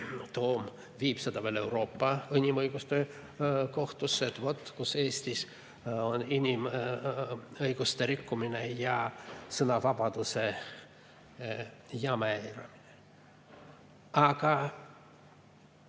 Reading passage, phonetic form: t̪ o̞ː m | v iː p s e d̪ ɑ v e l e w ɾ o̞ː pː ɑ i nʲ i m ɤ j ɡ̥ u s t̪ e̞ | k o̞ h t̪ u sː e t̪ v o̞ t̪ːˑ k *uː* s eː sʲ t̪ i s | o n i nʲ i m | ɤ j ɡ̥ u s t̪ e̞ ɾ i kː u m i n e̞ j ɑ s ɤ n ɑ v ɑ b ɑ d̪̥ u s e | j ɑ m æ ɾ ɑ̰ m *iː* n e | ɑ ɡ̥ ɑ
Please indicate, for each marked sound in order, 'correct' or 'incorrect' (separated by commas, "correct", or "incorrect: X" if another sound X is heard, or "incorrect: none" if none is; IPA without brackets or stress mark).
incorrect: u, incorrect: i